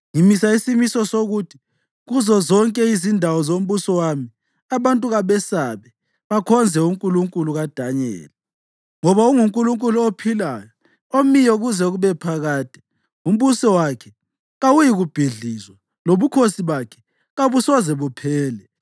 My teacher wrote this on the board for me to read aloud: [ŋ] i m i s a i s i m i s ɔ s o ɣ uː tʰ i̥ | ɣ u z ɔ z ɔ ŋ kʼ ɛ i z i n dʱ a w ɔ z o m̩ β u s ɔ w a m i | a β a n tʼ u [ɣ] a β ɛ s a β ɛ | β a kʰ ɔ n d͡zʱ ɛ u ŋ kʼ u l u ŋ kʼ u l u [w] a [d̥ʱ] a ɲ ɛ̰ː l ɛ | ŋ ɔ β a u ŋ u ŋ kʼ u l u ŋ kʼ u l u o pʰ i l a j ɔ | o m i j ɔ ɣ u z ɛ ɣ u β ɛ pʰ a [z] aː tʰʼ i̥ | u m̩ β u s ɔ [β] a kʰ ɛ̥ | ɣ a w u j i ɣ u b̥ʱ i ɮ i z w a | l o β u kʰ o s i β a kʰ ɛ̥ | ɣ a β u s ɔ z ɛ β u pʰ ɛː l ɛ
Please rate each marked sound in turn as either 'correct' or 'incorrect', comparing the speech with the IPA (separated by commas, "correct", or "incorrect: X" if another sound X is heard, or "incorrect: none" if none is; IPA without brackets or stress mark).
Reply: correct, correct, incorrect: ɣ, correct, incorrect: ɣ, incorrect: w